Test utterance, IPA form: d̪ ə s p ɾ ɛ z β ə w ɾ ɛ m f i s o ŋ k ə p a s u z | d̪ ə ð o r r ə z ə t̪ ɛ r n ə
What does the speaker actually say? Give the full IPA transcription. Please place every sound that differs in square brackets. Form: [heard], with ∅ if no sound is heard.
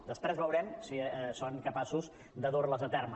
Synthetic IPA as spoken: d̪ ə s p ɾ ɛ z β ə w ɾ ɛ m [s] i s o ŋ k ə p a s u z | d̪ ə ð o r [l] ə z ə t̪ ɛ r [m] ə